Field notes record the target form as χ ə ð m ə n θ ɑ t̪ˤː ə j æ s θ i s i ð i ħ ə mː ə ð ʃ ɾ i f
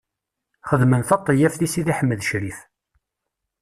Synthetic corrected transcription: χ ə ð m ə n θ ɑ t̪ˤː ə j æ f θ i s i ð i ħ ə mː ə ð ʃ ɾ i f